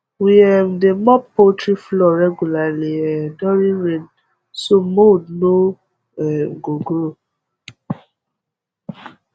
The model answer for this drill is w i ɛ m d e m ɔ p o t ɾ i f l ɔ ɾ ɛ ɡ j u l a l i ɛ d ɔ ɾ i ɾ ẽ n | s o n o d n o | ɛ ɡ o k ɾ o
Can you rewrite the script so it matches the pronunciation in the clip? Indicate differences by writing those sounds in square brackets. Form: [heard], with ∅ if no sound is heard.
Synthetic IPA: w i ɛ m d e m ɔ p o t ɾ i f l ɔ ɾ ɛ ɡ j u l a l i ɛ d ɔ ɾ i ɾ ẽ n | s o [m] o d n o | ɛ ɡ o [ɡ] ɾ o

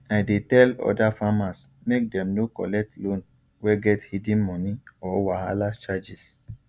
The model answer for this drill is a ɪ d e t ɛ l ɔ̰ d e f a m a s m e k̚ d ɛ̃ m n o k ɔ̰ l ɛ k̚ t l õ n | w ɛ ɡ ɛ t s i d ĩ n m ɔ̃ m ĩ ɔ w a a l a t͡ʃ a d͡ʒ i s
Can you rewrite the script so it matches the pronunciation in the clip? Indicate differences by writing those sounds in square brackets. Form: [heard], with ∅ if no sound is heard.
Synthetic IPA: a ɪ d e t ɛ l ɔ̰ d [a] f a m a s m e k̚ d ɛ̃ m n o k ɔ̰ l ɛ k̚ t l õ n | w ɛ ɡ ɛ t [h] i d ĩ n m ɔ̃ [n] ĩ ɔ w a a l a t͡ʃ a d͡ʒ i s

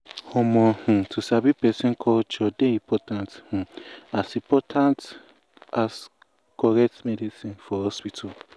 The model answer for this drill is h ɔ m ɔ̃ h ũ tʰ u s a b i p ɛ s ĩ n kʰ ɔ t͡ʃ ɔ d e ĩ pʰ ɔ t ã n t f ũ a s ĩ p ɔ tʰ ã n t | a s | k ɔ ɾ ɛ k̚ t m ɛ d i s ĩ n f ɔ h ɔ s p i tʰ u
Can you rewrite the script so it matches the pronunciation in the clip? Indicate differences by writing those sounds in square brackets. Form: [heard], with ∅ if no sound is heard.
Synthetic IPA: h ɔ m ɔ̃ h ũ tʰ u s a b i p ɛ s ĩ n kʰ ɔ t͡ʃ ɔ d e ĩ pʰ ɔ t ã n t [h] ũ a s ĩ p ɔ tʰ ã n t | a s | k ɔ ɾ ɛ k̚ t m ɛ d i s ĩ n f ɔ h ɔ s p i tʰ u

